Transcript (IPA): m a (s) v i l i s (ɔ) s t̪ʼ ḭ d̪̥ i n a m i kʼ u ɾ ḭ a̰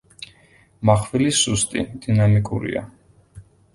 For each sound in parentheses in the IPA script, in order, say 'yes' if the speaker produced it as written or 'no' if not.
no, no

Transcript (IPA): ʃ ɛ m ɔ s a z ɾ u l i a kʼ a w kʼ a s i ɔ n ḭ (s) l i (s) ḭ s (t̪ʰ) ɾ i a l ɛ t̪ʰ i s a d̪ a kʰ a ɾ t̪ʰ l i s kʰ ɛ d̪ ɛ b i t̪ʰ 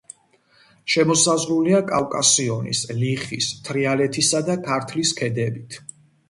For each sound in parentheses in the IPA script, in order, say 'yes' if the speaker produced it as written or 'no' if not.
yes, no, yes

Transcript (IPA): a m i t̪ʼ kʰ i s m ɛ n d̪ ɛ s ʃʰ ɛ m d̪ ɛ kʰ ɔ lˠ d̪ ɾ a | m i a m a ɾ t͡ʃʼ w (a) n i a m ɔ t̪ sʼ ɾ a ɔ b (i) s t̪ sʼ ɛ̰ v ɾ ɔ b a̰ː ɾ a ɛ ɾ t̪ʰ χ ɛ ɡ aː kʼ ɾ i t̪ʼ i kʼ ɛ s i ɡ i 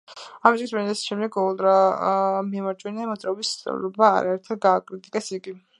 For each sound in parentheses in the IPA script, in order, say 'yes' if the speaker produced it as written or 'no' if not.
no, yes

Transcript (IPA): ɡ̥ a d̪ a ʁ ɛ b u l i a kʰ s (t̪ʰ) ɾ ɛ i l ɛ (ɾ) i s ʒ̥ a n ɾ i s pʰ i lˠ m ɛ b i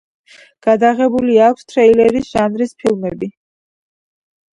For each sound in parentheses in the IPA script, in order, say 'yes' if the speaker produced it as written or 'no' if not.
yes, yes

